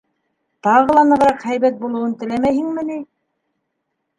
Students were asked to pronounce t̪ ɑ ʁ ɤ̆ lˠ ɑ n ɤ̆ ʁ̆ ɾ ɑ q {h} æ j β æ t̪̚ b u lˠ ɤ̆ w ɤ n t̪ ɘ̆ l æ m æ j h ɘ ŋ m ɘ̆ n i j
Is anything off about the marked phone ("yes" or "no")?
no